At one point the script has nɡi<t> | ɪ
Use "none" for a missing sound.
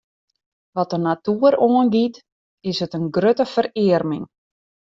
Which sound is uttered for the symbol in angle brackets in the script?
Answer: t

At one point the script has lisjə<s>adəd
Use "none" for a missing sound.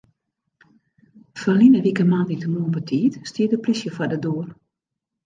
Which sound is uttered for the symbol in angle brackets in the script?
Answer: f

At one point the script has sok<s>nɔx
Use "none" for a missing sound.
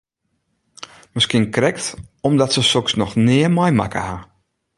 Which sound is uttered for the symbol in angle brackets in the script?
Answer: s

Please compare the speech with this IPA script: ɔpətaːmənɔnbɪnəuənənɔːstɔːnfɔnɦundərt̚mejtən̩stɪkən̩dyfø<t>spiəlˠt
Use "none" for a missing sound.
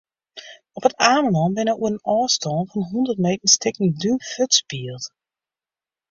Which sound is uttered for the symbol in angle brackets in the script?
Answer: t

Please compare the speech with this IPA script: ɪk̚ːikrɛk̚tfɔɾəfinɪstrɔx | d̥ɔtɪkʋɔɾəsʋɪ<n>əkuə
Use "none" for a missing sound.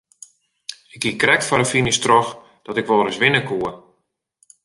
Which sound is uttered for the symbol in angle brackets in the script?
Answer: n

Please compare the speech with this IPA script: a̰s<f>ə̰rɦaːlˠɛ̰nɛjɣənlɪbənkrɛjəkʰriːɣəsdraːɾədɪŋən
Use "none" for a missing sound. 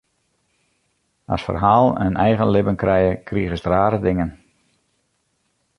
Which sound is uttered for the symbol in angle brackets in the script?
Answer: f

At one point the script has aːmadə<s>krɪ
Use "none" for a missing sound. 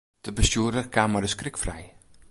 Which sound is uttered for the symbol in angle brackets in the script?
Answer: s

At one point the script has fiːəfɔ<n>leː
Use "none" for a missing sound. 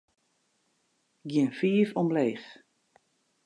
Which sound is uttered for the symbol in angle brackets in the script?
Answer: m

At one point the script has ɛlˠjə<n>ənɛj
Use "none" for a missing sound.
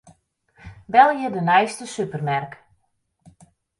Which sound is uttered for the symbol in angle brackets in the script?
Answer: d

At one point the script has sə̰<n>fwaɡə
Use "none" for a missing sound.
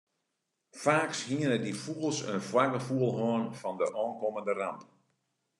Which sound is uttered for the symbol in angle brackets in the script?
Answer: n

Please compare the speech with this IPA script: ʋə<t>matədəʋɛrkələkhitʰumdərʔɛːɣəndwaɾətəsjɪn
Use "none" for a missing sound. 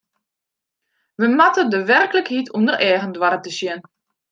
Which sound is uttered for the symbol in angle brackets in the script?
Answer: none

